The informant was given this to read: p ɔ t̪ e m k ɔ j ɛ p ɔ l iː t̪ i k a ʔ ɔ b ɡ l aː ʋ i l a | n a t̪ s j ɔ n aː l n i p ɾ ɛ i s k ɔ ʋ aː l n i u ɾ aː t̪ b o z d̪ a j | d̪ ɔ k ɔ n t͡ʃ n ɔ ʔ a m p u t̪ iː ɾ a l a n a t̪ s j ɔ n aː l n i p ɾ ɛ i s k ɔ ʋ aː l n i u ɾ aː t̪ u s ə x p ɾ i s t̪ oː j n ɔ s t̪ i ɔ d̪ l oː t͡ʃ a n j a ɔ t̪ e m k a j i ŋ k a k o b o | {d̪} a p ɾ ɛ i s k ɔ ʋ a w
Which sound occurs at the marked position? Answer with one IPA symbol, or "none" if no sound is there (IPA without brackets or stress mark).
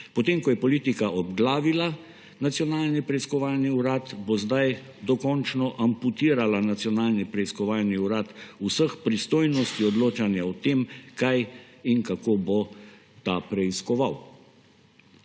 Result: t̪